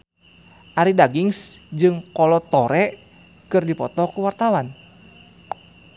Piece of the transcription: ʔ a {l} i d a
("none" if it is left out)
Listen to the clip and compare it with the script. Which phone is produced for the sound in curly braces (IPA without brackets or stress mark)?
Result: ɾ